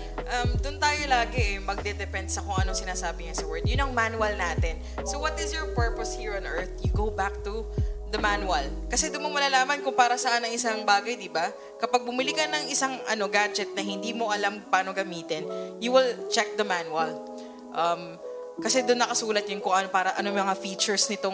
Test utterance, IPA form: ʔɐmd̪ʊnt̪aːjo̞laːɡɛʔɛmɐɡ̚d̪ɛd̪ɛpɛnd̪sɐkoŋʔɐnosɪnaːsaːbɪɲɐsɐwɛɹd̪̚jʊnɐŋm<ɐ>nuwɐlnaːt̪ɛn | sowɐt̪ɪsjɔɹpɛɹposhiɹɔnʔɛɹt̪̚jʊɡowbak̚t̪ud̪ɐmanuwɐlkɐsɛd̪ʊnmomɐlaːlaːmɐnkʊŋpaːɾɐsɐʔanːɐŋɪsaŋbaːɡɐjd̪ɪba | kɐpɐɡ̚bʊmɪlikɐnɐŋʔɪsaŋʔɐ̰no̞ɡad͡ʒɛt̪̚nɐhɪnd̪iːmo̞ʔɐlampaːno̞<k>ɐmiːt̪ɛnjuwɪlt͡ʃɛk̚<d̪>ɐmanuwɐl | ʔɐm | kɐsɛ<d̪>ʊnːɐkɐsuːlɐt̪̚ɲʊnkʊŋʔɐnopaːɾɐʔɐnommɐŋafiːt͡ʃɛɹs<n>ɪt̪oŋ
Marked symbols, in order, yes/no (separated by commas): no, no, yes, yes, yes